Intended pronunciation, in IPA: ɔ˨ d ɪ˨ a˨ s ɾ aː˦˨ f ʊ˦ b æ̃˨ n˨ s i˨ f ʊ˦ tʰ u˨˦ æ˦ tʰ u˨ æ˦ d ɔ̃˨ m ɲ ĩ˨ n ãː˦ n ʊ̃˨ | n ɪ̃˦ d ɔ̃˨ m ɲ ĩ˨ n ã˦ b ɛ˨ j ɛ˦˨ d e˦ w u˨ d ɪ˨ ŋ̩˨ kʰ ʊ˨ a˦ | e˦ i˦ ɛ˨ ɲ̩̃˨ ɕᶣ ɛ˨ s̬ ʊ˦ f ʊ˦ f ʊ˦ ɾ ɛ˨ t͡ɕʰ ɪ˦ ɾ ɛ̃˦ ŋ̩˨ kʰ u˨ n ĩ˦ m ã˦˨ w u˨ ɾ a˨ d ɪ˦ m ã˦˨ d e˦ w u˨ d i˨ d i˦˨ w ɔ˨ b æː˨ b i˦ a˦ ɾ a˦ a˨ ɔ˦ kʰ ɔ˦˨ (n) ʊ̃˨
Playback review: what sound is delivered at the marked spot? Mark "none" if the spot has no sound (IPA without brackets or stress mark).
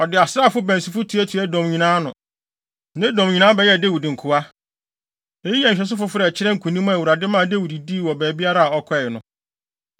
n